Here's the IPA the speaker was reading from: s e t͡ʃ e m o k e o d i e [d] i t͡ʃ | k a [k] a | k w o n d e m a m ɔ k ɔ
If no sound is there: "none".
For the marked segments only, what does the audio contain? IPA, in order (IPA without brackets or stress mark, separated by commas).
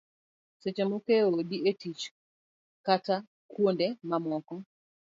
t, t